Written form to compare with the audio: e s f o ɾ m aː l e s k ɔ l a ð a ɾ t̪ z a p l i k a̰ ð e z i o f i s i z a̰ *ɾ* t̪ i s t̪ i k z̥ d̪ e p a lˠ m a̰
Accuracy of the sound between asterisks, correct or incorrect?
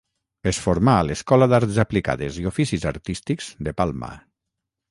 correct